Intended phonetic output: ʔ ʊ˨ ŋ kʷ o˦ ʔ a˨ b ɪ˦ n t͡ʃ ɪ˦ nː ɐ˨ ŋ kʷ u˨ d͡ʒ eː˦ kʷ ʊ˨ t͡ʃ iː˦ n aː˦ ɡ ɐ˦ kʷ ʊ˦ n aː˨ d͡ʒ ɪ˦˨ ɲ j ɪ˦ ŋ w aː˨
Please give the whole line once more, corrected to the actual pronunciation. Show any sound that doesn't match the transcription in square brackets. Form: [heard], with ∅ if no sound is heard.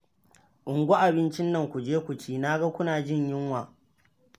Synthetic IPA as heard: ʔ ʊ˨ ŋ [ɡʷ] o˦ ʔ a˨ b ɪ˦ n t͡ʃ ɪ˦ nː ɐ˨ ŋ kʷ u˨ d͡ʒ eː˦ kʷ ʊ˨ t͡ʃ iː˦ n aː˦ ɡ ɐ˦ kʷ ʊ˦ n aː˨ d͡ʒ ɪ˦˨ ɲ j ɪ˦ ŋ w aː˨